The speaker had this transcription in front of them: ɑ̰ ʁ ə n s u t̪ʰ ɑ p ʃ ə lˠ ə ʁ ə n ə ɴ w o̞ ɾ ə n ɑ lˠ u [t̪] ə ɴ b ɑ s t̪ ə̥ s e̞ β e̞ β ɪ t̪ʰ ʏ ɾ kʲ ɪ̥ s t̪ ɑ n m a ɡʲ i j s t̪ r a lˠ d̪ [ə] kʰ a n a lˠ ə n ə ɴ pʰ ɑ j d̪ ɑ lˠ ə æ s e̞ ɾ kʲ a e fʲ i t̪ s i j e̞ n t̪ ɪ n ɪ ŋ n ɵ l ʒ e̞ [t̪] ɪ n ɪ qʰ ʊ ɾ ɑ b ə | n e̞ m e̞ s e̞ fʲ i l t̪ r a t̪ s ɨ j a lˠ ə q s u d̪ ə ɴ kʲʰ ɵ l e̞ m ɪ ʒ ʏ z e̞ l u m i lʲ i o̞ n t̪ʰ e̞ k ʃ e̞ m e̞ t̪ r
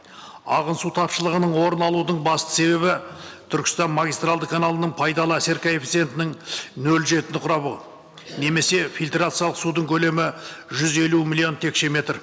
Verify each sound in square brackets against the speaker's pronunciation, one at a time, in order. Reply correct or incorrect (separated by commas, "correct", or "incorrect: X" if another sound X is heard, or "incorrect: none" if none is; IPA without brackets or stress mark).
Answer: incorrect: d̪, correct, correct